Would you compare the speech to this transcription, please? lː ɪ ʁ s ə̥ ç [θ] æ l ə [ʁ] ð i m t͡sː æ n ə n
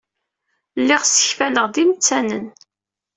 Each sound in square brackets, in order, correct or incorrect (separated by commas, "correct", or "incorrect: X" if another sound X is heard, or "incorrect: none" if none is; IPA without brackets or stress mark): incorrect: f, correct